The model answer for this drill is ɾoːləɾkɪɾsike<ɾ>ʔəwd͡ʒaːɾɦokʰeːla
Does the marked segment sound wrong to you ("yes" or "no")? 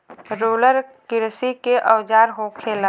yes